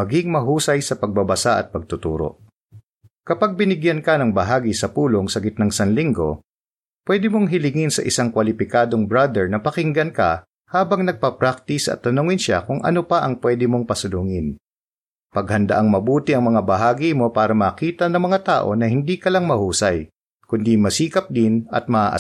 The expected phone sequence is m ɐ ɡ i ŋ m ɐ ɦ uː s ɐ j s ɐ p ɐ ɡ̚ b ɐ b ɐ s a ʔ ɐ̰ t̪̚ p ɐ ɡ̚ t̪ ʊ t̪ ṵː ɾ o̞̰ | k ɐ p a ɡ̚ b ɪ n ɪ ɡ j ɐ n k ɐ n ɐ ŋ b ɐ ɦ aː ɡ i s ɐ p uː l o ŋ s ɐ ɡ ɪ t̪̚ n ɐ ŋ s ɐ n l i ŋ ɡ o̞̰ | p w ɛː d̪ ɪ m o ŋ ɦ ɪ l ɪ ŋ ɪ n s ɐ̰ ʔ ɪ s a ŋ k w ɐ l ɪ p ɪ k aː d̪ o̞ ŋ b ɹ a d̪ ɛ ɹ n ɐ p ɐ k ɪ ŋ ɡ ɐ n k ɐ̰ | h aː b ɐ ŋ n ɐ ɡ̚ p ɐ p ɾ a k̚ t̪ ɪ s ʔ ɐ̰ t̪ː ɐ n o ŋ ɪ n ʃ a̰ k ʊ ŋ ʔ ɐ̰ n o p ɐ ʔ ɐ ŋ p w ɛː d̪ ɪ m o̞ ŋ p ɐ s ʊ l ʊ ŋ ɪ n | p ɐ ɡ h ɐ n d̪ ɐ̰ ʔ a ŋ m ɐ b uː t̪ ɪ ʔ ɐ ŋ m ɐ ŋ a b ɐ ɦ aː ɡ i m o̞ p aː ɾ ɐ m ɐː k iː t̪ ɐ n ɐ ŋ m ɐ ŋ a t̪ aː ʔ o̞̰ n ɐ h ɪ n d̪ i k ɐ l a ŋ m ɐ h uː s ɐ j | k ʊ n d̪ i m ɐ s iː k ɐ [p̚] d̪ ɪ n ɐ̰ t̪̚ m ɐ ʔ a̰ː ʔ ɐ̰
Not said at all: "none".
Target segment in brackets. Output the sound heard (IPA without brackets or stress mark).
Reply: p̚